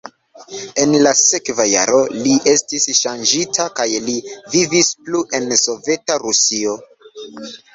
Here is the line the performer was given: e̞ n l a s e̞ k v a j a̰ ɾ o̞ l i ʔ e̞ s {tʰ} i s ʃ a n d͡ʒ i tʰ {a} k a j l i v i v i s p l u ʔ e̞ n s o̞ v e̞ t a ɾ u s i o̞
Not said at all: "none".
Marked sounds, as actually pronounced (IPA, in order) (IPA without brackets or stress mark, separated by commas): t, a